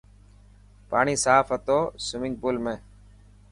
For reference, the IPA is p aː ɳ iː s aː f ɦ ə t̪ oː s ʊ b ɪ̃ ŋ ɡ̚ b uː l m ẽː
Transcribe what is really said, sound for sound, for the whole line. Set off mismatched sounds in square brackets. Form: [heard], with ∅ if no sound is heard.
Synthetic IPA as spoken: p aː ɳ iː s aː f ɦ ə t̪ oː s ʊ [m] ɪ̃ ŋ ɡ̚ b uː l m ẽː